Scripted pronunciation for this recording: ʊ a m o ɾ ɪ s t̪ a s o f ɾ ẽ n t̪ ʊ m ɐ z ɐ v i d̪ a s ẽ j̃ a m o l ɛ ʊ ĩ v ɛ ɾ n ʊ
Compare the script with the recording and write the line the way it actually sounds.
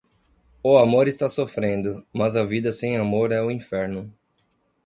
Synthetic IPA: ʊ a m o ɾ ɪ s t̪ a s o f ɾ ẽ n d̪ ʊ m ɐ z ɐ v i d̪ ɐ s ẽ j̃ a m o ɾ ɛ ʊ ĩ f ɛ ɾ n ʊ